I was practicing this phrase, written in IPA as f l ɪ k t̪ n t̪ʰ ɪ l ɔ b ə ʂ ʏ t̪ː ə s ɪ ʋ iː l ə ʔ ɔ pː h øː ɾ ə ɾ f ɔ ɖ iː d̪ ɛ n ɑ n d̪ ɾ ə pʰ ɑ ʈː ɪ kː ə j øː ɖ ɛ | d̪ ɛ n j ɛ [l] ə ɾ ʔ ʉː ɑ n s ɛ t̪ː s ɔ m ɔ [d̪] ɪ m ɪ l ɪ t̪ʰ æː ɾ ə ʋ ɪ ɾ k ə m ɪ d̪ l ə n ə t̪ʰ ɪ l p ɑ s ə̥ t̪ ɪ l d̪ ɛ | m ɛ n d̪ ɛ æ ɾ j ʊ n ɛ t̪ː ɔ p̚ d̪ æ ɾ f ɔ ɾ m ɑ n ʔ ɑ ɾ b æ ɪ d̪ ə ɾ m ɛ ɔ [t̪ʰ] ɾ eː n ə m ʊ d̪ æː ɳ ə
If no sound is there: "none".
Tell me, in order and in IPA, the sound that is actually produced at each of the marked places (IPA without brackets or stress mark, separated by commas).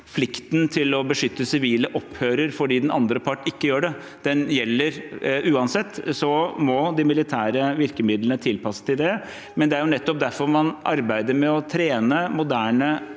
lː, d̪, t̪ʰ